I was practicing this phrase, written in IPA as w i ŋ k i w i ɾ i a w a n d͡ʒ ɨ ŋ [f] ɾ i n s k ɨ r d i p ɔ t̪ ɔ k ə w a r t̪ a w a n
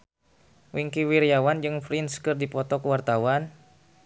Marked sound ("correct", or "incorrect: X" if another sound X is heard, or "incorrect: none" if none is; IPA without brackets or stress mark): correct